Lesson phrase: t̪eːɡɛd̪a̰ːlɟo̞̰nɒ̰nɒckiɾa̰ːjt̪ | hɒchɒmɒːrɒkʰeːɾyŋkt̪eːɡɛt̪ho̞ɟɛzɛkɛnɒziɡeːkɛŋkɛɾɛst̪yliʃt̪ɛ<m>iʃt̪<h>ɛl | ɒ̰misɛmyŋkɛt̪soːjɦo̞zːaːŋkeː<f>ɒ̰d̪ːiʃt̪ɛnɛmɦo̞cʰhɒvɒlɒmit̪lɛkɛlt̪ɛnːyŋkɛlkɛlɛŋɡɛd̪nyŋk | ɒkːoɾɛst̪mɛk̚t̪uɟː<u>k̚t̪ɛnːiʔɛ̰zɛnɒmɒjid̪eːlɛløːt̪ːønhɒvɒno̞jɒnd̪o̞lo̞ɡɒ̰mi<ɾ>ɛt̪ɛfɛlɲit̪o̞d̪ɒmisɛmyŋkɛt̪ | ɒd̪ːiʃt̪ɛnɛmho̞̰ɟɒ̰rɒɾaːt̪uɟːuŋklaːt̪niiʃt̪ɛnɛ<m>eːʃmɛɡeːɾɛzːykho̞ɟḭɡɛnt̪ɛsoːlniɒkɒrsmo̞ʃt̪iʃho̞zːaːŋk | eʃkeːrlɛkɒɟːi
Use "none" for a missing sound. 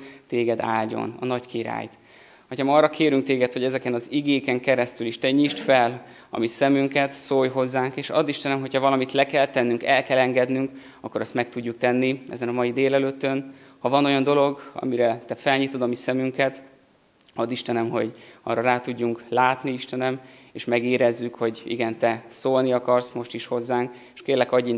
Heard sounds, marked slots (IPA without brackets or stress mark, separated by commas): ɲ, f, ʃ, u, ɾ, m